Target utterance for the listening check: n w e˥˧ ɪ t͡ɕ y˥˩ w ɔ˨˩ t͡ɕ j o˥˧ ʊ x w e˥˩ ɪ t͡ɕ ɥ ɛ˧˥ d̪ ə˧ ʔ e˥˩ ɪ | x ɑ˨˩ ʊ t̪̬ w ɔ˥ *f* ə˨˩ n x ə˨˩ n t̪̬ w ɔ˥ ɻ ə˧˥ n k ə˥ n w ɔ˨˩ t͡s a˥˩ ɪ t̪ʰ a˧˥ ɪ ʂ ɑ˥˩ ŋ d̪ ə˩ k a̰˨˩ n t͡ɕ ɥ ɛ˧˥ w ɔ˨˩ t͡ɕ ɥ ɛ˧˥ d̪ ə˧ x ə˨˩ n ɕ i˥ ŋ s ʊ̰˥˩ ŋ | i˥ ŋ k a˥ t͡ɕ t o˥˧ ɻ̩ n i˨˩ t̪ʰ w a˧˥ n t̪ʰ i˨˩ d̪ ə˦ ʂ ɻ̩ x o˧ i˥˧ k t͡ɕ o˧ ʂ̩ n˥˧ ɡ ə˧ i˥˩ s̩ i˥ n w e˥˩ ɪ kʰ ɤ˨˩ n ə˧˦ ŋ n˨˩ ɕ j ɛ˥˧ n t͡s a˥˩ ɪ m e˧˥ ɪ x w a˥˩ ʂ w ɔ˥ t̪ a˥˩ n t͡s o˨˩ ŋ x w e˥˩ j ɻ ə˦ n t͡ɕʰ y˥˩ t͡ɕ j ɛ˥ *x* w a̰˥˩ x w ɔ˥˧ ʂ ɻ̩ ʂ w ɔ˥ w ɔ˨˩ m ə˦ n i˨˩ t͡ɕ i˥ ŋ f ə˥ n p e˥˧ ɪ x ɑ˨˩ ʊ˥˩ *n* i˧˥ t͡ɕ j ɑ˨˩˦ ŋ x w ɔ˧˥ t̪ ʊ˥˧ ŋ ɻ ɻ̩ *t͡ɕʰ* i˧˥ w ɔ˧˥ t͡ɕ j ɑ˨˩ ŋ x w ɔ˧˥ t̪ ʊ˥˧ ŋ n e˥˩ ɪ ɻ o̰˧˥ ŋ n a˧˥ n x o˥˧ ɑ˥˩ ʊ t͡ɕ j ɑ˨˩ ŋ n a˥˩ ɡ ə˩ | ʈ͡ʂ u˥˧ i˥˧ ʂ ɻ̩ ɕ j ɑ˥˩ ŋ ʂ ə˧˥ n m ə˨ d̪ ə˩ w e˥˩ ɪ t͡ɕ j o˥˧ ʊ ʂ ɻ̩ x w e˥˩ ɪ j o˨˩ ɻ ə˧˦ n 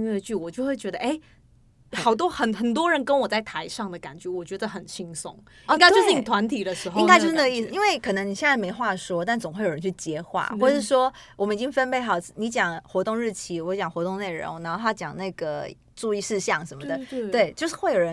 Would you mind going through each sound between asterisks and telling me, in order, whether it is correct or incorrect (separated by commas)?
incorrect, correct, correct, correct